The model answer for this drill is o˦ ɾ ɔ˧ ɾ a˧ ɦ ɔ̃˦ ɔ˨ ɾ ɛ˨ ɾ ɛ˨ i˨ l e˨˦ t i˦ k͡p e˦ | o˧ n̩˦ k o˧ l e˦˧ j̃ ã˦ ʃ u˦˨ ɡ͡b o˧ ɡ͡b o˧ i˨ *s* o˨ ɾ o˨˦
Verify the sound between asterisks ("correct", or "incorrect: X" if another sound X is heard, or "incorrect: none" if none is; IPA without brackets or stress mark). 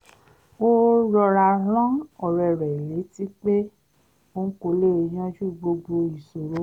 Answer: correct